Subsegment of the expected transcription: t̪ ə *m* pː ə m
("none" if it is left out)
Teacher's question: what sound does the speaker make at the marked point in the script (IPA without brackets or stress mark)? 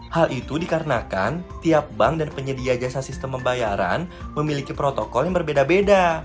m